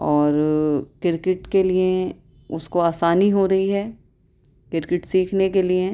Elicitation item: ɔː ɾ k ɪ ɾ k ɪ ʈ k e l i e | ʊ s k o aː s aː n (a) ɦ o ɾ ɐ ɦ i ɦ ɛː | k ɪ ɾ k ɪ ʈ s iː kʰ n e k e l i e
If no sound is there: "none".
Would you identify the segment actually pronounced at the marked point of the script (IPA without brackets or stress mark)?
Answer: i